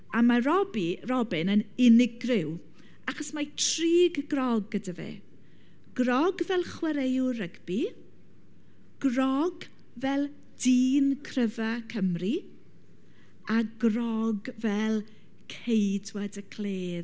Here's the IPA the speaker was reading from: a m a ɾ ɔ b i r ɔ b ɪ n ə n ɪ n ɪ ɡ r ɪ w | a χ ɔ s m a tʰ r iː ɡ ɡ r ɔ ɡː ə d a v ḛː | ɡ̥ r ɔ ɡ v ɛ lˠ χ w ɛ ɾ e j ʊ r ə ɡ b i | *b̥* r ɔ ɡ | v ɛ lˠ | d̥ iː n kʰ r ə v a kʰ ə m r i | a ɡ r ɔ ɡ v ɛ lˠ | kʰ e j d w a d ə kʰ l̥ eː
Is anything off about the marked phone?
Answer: yes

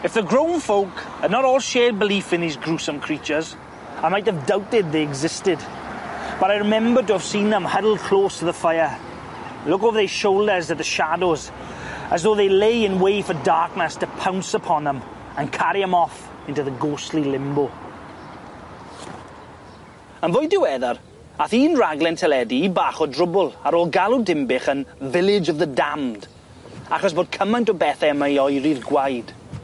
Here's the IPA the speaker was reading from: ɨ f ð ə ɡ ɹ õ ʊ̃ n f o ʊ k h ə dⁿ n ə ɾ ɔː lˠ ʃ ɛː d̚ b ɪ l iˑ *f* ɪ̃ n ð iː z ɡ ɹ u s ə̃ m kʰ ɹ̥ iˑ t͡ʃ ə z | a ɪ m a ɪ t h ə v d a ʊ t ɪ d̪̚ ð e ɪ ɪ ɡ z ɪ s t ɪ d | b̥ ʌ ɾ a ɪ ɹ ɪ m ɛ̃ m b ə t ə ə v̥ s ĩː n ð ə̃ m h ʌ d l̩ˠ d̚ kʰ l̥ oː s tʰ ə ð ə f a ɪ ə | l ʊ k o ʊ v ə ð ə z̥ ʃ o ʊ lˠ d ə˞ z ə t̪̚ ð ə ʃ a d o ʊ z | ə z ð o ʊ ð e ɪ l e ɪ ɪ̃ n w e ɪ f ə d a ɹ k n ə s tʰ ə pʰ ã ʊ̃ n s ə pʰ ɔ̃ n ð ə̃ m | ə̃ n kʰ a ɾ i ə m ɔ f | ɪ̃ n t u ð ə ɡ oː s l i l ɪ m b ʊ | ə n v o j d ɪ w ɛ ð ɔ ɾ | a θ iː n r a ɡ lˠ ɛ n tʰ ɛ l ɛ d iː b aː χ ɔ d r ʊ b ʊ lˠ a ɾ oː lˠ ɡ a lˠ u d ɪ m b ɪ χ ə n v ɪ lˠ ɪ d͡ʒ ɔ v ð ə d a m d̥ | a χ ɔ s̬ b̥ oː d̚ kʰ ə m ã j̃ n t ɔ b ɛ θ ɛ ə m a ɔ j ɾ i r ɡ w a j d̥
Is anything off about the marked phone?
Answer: no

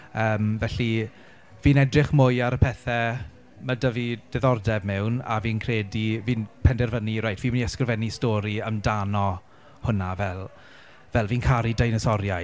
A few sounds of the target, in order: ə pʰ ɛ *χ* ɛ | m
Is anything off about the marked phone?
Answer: yes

